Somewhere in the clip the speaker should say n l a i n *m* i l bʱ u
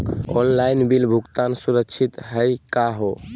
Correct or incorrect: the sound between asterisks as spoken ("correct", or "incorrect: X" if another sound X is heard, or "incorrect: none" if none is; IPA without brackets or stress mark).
incorrect: b